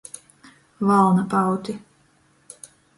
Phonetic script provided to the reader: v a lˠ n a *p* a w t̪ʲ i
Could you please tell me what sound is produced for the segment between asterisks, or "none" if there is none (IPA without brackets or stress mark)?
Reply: p